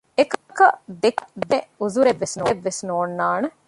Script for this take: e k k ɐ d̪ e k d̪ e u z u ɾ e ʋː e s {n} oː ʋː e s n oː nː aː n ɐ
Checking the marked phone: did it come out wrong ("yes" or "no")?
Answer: no